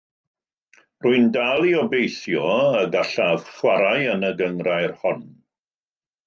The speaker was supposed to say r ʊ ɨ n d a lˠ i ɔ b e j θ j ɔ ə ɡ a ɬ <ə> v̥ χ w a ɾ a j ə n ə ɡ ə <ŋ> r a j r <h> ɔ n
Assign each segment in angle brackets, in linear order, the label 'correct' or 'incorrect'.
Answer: incorrect: a, correct, correct

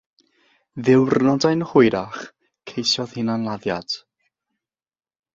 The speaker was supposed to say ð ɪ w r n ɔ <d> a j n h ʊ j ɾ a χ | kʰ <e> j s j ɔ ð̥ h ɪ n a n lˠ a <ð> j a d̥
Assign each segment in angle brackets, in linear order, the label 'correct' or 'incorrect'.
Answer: correct, correct, correct

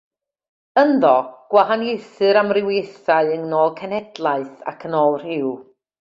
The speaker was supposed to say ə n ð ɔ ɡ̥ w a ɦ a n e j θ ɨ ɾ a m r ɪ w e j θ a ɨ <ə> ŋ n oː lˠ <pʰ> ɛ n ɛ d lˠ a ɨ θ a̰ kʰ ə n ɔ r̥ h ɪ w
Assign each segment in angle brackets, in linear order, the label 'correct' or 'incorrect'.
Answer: correct, incorrect: kʰ

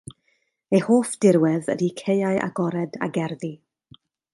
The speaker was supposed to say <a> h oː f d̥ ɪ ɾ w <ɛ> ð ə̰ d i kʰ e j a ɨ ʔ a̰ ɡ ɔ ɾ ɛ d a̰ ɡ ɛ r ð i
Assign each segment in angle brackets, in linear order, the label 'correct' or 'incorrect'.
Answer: incorrect: e, correct

